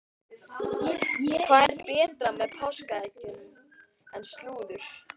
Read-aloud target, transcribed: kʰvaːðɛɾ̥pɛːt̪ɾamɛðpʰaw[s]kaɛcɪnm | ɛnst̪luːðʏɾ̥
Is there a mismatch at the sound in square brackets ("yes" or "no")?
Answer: no